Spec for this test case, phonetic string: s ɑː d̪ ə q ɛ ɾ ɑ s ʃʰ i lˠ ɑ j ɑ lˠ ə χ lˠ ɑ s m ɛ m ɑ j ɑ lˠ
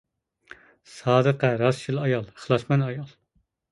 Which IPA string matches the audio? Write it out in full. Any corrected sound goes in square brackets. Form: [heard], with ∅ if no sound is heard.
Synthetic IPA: s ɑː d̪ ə q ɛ ɾ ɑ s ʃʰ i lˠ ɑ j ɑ lˠ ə χ lˠ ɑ s m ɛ [n] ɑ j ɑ lˠ

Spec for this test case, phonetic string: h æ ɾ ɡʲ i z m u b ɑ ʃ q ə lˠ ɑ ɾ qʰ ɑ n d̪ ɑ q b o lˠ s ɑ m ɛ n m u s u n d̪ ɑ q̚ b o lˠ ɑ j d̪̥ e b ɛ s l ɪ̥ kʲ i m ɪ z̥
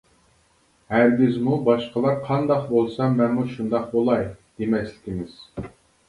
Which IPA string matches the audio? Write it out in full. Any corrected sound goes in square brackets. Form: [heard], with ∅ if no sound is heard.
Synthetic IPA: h æ ɾ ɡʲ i z m u b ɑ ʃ q ə lˠ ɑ ɾ qʰ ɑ n d̪ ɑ q b o lˠ s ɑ m ɛ n m u [ʃ] u n d̪ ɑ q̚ b o lˠ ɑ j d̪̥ e [m] ɛ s l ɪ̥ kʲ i m ɪ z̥

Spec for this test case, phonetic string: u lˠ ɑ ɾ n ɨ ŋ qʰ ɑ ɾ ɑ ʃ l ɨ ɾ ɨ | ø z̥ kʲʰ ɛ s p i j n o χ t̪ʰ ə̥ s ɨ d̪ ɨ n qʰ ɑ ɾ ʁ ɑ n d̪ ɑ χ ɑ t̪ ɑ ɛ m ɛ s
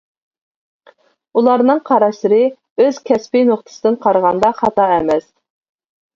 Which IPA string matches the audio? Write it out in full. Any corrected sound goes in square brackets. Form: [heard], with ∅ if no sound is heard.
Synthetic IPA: u lˠ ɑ ɾ n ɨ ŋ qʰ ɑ ɾ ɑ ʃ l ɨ ɾ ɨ | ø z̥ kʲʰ ɛ s p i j n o χ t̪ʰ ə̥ s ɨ d̪ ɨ n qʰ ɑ ɾ ʁ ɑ n d̪ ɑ χ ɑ t̪ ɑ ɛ m ɛ s

